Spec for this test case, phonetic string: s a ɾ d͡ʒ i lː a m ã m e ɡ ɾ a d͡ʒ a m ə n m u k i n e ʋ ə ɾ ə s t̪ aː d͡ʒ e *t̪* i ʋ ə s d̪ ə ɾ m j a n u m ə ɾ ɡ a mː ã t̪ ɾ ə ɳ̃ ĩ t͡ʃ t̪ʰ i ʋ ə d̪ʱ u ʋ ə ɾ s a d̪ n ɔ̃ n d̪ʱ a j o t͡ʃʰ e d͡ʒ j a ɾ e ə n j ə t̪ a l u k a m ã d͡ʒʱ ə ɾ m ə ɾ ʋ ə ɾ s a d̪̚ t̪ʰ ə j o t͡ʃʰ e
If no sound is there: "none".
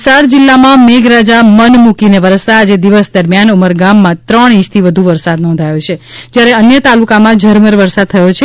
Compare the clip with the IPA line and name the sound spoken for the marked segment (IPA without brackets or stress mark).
d̪